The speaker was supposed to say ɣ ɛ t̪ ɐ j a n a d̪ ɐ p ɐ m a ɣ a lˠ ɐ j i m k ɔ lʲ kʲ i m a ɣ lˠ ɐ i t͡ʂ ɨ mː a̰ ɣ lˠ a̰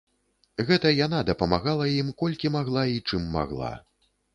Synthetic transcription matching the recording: ɣ ɛ t̪ ɐ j a n a d̪ ɐ p ɐ m a ɣ a lˠ ɐ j i m k ɔ lʲ kʲ i m a ɣ lˠ a i t͡ʂ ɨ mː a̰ ɣ lˠ a̰

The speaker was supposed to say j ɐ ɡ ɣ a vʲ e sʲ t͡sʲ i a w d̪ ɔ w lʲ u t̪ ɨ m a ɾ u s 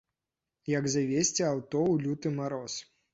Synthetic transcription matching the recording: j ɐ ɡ z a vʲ e sʲ t͡sʲ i a w t̪ ɔ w lʲ u t̪ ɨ m a ɾ ɔ s

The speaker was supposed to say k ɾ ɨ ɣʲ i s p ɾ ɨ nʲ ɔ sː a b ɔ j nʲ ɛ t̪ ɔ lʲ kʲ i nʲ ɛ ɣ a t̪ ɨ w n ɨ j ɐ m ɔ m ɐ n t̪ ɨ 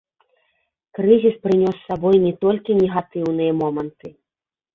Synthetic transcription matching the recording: k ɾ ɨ zʲ i s p ɾ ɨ nʲ ɔ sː a b ɔ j nʲ ɛ t̪ ɔ lʲ kʲ i nʲ ɛ ɣ a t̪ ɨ w n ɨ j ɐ m ɔ m ɐ n t̪ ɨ

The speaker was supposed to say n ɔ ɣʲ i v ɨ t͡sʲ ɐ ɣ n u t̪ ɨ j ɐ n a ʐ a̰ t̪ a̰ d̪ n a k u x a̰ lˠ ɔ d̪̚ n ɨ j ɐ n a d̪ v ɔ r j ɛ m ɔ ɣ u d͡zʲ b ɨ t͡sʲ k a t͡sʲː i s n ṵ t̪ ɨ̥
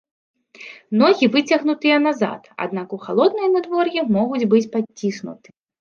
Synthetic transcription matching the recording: n ɔ ɣʲ i v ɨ t͡sʲ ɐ ɣ n u t̪ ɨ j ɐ n a z a̰ t̪ a̰ d̪ n a k u x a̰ lˠ ɔ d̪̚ n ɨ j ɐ n a d̪ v ɔ r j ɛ m ɔ ɣ u d͡zʲ b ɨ t͡sʲ p a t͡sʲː i s n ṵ t̪ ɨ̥

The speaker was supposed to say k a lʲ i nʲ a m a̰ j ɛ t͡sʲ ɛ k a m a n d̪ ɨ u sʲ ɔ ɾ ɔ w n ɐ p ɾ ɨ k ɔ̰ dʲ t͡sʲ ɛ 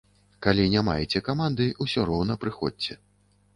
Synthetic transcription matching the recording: k a lʲ i nʲ a m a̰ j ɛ t͡sʲ ɛ k a m a n d̪ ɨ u sʲ ɔ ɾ ɔ w n ɐ p ɾ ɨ x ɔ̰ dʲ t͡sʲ ɛ

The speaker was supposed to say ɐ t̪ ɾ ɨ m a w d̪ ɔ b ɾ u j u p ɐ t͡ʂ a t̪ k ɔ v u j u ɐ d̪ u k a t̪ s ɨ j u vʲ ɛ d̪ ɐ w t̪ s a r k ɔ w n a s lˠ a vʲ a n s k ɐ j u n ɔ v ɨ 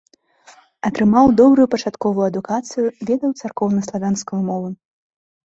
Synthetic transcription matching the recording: ɐ t̪ ɾ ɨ m a w d̪ ɔ b ɾ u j u p ɐ t͡ʂ a t̪ k ɔ v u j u ɐ d̪ u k a t̪ s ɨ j u vʲ ɛ d̪ ɐ w t̪ s a r k ɔ w n ɐ s lˠ a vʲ a n s k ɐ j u m ɔ v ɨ

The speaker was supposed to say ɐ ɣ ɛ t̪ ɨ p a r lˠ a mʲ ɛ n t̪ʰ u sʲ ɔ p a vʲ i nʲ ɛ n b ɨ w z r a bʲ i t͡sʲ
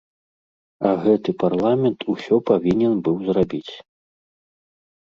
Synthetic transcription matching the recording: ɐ ɣ ɛ t̪ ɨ p a r lˠ a mʲ ɛ n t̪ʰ u sʲ ɔ p a vʲ i nʲ ɛ n b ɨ w z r a bʲ i t͡sʲ

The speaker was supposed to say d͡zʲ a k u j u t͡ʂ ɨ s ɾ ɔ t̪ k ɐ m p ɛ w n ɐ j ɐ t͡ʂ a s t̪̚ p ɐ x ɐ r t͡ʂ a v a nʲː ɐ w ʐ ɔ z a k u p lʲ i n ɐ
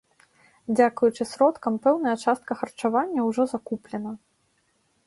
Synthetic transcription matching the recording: d͡zʲ a k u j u t͡ʂ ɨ s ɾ ɔ t̪ k ɐ m p ɛ w n ɐ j ɐ t͡ʂ a s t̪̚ k ɐ x ɐ r t͡ʂ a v a nʲː ɐ w ʐ ɔ z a k u p lʲ ɛ n ɐ

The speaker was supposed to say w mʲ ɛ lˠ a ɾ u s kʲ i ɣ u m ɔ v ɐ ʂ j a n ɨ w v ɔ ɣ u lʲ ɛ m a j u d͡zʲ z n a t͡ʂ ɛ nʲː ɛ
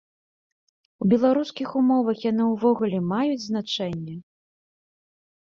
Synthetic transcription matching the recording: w bʲ ɛ lˠ a ɾ u s kʲ i x u m ɔ v ɐ x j a n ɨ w v ɔ ɣ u lʲ ɛ m a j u d͡zʲ z n a t͡ʂ ɛ nʲː ɛ

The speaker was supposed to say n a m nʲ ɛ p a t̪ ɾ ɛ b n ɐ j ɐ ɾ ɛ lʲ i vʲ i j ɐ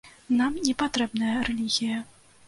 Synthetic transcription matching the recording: n a m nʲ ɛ p a t̪ ɾ ɛ b n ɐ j ɐ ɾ ɛ lʲ i ɣʲ i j ɐ

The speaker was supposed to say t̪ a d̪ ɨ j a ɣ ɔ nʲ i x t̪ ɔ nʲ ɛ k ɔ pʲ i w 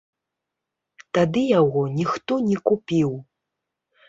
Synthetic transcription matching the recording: t̪ a d̪ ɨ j a ɣ ɔ nʲ i x t̪ ɔ nʲ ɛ k u pʲ i w

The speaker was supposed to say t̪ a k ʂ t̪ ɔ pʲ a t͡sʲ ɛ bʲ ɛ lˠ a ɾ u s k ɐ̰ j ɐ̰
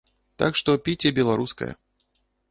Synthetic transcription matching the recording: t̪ a k ʂ t̪ ɔ pʲ i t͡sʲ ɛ bʲ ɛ lˠ a ɾ u s k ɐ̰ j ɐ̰

